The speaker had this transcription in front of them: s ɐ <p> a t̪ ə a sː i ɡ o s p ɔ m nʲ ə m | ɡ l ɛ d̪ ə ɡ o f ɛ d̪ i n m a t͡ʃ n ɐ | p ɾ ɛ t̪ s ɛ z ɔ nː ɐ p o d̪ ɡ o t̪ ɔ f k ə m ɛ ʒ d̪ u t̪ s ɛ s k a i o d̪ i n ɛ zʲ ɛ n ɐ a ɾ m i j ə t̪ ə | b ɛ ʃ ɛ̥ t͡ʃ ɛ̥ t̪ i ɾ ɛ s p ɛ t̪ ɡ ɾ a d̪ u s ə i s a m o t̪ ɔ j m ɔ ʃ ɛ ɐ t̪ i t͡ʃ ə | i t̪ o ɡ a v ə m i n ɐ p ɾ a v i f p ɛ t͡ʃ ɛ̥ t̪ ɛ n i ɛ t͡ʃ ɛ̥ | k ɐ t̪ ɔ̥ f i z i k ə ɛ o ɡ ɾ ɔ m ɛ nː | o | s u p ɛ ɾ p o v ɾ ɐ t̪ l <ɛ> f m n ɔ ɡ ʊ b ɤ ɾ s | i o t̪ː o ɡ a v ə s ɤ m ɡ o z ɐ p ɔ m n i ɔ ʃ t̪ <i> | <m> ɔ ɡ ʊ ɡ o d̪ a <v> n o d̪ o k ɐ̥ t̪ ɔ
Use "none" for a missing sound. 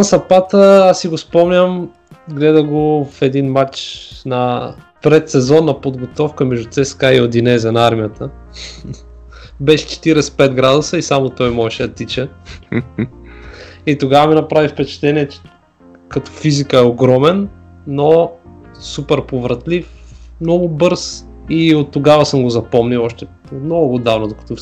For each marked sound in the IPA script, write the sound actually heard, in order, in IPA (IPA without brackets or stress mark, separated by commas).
p, i, ɛ, n, v